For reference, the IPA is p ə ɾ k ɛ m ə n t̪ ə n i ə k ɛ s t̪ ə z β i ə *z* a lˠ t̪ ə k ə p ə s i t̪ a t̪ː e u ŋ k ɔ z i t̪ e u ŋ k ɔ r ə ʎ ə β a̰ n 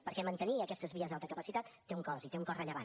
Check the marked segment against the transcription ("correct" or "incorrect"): correct